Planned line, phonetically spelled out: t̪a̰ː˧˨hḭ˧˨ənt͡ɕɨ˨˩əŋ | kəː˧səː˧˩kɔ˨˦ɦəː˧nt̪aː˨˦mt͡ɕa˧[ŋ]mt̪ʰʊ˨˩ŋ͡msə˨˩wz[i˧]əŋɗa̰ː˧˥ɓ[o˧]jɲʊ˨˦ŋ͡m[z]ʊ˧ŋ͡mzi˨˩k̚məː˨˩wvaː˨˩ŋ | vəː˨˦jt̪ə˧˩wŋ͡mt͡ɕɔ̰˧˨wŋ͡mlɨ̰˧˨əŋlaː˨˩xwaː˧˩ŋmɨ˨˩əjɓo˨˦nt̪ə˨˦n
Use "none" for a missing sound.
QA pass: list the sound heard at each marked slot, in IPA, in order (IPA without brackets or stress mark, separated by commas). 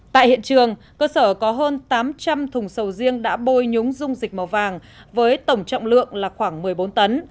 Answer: none, i˧, o˧, z